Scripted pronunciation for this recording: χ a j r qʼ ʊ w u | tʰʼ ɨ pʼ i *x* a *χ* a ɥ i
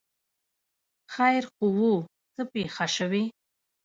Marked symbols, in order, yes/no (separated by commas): no, no